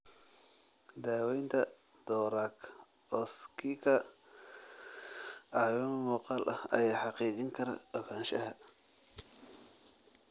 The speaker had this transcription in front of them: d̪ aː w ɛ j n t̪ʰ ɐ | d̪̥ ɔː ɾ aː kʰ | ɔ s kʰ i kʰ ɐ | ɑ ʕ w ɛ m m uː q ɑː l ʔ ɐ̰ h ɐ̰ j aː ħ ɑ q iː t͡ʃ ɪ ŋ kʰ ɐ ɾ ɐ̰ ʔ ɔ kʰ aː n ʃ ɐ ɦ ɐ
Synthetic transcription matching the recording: d̪ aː w ɛ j n t̪ʰ ɐ | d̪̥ ɔː ɾ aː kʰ | ɔ s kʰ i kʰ ɐ | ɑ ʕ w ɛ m m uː q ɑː l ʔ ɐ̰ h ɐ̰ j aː ħ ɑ q iː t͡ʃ ɪ ŋ kʰ ɐ ɾ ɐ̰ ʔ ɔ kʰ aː n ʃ ɐ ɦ ɐ